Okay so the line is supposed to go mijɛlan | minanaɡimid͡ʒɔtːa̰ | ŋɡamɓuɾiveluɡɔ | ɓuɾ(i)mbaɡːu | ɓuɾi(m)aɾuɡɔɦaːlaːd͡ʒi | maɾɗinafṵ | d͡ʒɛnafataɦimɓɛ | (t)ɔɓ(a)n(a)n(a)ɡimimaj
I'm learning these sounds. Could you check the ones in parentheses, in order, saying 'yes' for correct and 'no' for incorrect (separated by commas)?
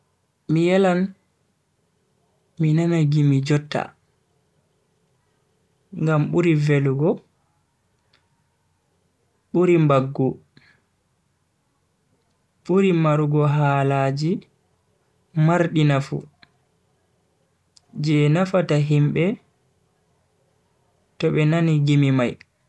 yes, yes, yes, no, yes, no